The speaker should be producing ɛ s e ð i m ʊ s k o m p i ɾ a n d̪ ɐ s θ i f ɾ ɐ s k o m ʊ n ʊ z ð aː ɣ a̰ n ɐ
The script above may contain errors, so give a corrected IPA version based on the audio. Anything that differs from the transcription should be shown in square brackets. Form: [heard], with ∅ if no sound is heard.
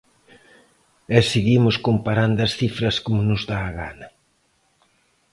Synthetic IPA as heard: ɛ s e [ɣ] i m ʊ s k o m p [a] ɾ a n d̪ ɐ s θ i f ɾ ɐ s k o m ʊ n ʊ z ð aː ɣ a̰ n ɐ

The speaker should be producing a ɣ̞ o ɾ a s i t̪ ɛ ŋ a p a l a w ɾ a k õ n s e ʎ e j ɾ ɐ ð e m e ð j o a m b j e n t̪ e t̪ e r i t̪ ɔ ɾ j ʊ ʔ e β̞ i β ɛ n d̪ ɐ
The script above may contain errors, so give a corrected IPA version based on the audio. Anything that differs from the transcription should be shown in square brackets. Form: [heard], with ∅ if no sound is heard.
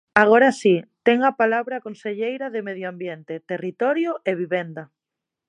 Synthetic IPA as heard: a ɣ̞ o ɾ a s i t̪ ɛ ŋ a p a l a [β] ɾ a k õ n s e ʎ e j ɾ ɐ ð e m e ð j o a m b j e n t̪ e t̪ e r i t̪ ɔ ɾ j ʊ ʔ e β̞ i β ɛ n d̪ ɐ

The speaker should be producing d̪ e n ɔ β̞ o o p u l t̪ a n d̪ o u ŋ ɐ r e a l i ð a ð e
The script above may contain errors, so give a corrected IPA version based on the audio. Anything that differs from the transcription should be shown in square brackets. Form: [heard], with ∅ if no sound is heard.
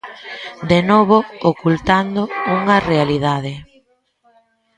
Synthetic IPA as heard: d̪ e n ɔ β̞ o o [k] u l t̪ a n d̪ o u ŋ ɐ r e a l i ð a ð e

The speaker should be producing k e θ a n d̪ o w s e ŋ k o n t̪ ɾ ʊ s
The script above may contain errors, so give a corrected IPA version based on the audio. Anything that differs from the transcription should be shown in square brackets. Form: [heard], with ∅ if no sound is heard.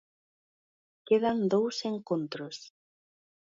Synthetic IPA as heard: k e [ð] a n d̪ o w s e ŋ k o n t̪ ɾ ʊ s

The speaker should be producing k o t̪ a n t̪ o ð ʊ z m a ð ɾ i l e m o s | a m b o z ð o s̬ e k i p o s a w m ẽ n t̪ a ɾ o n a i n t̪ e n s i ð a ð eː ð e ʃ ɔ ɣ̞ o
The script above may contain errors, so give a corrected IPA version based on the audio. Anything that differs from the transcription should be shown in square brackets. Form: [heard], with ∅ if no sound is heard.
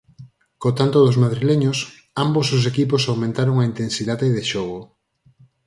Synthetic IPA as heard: k o t̪ a n t̪ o ð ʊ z m a ð ɾ i l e [ɲ] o s | a m b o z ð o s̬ e k i p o s a w m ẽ n t̪ a ɾ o [ŋ] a i n t̪ e n s i ð a ð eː ð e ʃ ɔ ɣ̞ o

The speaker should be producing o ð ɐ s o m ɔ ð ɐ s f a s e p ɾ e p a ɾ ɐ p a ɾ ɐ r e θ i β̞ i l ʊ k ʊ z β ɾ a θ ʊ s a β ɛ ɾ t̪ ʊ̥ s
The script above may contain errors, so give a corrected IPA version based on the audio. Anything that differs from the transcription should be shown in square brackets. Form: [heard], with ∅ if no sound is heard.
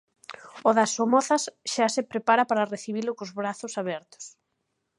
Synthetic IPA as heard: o ð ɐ s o m ɔ [θ] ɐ s [ʃ] a s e p ɾ e p a ɾ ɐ p a ɾ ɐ r e θ i β̞ i l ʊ k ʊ z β ɾ a θ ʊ s a β ɛ ɾ t̪ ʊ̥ s

